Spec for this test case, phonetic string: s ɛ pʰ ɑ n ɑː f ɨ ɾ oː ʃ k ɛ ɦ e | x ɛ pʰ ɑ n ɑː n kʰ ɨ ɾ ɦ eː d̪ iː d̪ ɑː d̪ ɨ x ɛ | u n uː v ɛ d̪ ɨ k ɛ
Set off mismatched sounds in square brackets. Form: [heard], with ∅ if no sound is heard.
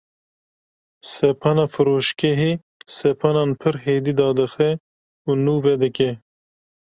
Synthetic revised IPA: s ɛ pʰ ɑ n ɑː f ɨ ɾ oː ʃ k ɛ ɦ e | [s] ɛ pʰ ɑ n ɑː n [pʰ] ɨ ɾ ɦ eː d̪ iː d̪ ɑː d̪ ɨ x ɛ | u n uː v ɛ d̪ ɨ k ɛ